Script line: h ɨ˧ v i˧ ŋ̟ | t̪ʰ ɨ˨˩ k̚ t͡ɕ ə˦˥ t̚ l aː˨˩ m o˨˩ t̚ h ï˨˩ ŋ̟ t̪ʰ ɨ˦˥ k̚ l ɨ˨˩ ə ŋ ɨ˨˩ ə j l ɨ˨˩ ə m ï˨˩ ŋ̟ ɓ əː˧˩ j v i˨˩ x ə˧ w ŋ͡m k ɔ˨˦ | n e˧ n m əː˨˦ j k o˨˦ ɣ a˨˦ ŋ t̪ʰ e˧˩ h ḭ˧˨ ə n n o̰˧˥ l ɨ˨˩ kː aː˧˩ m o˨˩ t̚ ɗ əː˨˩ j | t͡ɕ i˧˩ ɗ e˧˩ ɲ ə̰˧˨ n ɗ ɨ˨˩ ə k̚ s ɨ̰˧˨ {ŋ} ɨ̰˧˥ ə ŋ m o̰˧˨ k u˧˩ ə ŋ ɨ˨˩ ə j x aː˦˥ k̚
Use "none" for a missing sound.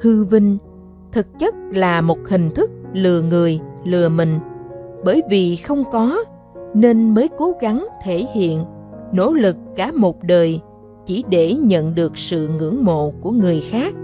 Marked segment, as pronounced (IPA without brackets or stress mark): ŋ